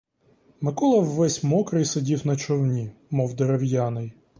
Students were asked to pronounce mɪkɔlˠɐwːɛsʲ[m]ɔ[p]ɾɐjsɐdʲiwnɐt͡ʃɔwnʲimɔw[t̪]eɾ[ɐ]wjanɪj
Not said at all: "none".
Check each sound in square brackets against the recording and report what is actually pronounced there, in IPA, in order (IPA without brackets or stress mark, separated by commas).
m, k, d̪, ɐ